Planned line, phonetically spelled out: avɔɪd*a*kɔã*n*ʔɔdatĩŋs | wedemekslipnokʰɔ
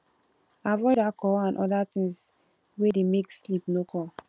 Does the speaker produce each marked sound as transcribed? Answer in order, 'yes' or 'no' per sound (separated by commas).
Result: yes, yes